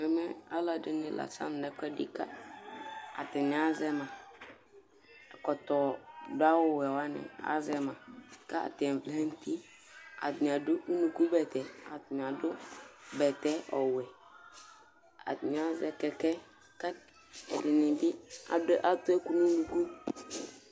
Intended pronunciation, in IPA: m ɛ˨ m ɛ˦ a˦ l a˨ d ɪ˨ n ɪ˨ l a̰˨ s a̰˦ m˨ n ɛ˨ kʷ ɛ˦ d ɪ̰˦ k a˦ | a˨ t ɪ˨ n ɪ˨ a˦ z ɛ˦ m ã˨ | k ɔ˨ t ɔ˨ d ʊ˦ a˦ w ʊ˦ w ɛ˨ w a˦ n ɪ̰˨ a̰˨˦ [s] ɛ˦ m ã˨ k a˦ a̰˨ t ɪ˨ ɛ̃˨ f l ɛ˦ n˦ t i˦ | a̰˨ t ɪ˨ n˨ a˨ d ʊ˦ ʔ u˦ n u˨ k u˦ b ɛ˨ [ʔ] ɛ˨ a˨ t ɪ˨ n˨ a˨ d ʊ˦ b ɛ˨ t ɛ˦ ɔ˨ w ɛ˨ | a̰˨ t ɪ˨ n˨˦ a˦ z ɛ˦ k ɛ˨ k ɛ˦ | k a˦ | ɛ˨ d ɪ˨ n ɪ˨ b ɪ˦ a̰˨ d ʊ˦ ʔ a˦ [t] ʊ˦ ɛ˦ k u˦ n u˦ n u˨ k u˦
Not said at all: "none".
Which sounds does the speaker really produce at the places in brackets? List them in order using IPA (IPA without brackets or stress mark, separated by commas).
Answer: z, t, t